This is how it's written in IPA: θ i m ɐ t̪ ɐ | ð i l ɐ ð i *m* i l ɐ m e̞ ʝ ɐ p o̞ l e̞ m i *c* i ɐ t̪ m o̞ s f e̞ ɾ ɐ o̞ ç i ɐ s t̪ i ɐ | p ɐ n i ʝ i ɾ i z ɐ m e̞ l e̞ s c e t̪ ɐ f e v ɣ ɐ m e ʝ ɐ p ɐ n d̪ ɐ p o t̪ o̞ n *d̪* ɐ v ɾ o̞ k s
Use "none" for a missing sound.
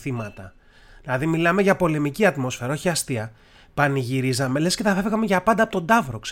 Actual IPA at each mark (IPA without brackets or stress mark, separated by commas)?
m, c, d̪